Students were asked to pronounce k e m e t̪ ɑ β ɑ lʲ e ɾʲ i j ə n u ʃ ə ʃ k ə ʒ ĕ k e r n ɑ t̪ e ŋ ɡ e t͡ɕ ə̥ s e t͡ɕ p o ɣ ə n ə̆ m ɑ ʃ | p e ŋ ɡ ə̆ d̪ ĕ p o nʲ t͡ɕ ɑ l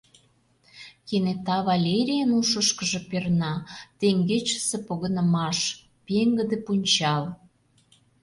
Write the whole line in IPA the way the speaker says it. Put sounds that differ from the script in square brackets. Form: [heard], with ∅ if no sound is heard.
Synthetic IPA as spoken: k e [n] e t̪ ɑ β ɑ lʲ e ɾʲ i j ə n u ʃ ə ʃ k ə ʒ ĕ [p] e r n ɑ t̪ e ŋ ɡ e t͡ɕ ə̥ s e [∅] p o ɣ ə n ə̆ m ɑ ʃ | p e ŋ ɡ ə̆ d̪ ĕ p [u] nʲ t͡ɕ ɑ l

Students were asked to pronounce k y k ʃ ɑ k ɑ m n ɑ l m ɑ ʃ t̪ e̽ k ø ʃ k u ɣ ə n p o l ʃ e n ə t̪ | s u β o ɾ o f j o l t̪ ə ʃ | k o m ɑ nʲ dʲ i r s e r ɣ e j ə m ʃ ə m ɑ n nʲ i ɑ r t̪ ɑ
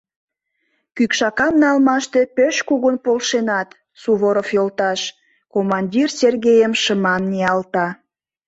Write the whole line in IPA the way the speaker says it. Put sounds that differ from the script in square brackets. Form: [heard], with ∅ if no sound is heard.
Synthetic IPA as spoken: k y k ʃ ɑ k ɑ m n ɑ l m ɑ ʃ t̪ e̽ [p] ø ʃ k u ɣ ə n p o l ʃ e n [ɑ] t̪ | s u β o ɾ o f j o l t̪ [ɑ] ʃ | k o m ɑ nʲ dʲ i r s e r ɣ e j ə m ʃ ə m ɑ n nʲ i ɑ [l] t̪ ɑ

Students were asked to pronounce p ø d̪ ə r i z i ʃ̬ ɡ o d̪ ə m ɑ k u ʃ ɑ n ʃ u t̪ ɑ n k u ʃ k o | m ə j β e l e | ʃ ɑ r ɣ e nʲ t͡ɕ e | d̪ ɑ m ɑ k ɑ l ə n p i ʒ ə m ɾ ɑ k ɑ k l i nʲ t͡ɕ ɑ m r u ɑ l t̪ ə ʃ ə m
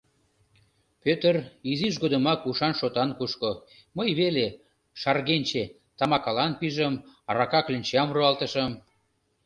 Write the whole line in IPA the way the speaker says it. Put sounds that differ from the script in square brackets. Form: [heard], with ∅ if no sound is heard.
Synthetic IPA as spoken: p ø [t̪] ə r i z i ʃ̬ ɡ o d̪ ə m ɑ k u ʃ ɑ n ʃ [o] t̪ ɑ n k u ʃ k o | m ə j β e l e | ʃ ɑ r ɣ e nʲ t͡ɕ e | [t̪] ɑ m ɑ k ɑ l [ɑ] n p i ʒ ə m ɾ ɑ k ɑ k l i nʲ t͡ɕ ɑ m r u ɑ l t̪ ə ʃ ə m

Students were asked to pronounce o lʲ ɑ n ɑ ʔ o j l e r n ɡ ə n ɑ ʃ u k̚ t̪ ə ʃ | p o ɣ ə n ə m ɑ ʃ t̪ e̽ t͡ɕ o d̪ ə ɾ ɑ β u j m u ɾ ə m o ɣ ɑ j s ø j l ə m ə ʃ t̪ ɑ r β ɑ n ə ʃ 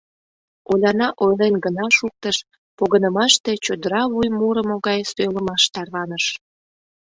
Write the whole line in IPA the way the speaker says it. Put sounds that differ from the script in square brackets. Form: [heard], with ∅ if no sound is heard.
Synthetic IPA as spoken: o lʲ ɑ n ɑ ʔ o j l e [∅] n ɡ ə n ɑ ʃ u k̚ t̪ ə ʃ | p o ɣ ə n ə m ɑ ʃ t̪ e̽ t͡ɕ o d̪ ə ɾ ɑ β u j m u ɾ ə m o ɣ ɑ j s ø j l ə m [ɑ] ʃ t̪ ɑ r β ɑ n ə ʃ

